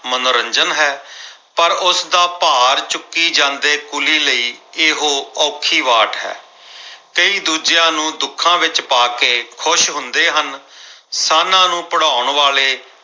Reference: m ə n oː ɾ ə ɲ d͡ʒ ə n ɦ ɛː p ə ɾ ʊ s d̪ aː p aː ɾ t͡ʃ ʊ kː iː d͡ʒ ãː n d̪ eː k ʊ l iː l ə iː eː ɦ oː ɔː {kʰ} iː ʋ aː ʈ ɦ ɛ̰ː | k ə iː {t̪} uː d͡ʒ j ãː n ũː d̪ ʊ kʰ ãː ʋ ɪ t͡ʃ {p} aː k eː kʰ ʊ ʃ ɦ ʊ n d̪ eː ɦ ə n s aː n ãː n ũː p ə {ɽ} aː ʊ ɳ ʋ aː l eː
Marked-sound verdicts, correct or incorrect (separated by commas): correct, incorrect, correct, correct